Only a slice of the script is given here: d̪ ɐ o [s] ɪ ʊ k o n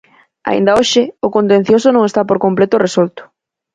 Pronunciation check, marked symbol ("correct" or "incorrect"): incorrect